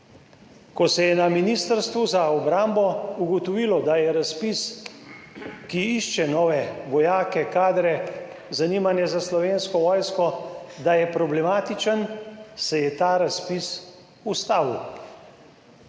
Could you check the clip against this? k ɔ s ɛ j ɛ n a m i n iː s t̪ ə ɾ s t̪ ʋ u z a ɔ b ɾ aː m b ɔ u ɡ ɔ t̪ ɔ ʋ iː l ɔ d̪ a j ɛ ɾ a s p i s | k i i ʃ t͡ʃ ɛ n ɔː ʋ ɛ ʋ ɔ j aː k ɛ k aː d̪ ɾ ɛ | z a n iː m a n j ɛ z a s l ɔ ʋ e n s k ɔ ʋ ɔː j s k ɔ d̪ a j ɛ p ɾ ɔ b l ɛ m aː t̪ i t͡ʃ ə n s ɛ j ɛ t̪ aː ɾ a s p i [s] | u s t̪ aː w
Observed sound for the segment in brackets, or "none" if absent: s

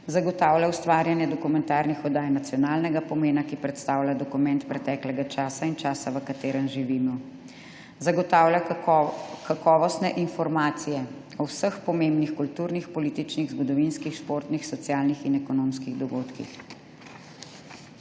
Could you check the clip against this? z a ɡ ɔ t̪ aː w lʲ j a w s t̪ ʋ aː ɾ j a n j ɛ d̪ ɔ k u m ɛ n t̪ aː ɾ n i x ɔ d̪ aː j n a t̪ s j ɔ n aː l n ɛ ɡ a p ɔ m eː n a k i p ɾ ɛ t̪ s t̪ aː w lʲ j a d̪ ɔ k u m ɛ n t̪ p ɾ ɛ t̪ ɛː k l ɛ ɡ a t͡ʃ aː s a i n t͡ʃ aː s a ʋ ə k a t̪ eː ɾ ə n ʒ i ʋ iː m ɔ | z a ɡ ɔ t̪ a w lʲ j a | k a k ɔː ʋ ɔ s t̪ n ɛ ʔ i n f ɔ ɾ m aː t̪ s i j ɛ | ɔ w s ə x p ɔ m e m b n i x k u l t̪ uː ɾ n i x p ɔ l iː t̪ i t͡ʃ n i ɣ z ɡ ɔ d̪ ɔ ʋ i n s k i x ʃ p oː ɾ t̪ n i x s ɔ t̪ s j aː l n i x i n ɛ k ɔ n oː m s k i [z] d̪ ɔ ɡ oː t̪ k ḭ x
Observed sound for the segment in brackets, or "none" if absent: ɣ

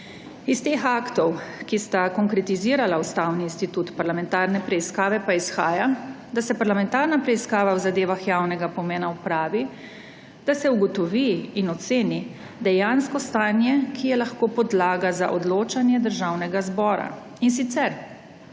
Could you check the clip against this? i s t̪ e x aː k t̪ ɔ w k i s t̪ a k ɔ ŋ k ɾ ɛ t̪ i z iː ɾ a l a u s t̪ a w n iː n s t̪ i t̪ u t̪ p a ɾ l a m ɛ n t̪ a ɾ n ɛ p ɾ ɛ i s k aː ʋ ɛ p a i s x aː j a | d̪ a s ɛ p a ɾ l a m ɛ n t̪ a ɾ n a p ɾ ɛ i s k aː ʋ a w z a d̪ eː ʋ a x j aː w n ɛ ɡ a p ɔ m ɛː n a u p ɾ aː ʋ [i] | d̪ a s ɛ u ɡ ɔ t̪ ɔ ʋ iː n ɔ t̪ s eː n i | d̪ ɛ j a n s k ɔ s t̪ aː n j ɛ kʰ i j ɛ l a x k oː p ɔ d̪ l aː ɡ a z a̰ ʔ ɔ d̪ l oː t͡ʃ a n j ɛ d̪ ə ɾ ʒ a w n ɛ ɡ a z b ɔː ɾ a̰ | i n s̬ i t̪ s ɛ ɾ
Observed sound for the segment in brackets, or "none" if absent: i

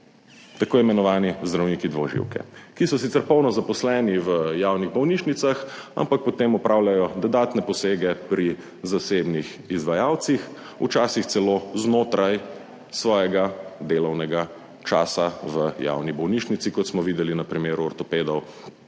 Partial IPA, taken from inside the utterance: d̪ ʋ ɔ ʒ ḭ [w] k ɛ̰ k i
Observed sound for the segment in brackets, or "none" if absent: w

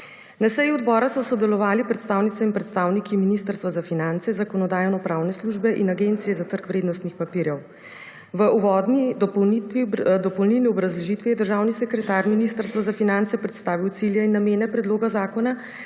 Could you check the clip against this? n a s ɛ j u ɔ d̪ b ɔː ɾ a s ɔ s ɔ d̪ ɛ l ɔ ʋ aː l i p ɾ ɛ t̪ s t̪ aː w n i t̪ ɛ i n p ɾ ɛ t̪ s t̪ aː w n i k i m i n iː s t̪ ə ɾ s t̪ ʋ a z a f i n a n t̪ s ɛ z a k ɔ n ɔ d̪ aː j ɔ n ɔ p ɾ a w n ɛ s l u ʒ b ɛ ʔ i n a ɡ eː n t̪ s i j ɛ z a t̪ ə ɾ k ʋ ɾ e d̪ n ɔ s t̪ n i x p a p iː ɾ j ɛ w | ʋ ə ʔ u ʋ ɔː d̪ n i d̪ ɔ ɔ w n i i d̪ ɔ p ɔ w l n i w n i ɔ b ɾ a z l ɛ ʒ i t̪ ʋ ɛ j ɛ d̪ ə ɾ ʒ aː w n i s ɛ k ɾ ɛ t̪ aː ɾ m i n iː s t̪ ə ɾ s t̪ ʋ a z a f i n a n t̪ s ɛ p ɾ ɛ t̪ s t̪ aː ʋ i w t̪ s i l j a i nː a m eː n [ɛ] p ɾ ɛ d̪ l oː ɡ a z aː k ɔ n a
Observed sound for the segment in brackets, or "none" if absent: ɛ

